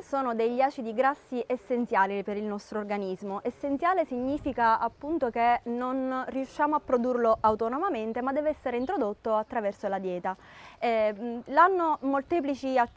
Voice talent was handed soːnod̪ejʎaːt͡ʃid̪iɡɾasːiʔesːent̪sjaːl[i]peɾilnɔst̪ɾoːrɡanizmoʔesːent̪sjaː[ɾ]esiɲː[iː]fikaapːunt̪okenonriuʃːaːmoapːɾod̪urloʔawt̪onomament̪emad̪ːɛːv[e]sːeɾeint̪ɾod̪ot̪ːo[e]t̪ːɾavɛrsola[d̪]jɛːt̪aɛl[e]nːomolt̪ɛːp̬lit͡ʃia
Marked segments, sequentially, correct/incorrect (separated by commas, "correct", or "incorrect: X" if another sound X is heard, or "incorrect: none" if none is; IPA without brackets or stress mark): correct, incorrect: l, correct, incorrect: ɛ, incorrect: a, correct, incorrect: a